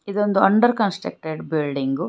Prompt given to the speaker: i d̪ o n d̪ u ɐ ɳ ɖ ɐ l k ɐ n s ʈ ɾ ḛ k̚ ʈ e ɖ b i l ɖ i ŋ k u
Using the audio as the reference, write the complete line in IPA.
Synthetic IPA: i d̪ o n d̪ u ɐ ɳ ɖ ɐ ɾ k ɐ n s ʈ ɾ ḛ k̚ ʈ e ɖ b i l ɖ i ŋ ɡ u